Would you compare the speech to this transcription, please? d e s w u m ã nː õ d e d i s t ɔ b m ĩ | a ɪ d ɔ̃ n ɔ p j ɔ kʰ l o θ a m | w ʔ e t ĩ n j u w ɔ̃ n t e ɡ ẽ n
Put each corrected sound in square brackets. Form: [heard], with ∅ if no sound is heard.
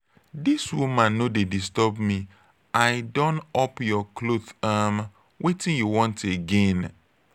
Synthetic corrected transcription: d [i] s w u m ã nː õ d e d i s t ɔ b m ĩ | a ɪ d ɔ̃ n ɔ p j ɔ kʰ l o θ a m | w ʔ e t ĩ n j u w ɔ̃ n t e ɡ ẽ n